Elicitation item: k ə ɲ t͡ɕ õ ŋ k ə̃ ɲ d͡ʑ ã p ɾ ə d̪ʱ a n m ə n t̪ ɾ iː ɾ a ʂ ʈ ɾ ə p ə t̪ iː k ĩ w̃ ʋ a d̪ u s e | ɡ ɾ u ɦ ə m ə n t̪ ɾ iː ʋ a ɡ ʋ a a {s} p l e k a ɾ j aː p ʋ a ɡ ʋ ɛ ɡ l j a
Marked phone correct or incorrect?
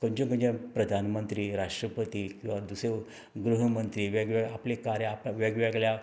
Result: incorrect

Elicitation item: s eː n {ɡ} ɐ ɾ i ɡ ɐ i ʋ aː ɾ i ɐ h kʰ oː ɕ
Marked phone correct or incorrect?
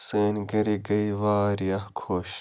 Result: correct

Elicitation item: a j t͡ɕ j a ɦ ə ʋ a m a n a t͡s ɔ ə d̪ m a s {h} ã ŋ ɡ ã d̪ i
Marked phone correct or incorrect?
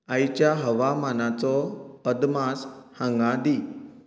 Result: correct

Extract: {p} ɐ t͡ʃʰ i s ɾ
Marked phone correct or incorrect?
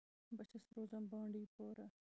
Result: incorrect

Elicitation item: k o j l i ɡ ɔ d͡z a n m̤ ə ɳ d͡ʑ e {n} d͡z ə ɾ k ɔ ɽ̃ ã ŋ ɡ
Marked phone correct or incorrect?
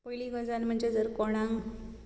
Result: incorrect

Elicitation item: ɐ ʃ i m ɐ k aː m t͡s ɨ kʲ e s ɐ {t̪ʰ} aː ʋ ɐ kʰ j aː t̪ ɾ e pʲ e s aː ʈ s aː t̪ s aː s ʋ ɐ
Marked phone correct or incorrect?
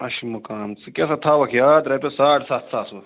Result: correct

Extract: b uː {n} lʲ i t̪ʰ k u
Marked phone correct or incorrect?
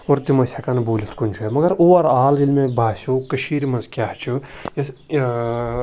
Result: incorrect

